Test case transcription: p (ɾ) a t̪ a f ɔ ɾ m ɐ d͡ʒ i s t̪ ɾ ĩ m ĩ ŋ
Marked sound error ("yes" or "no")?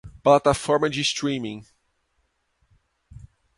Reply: yes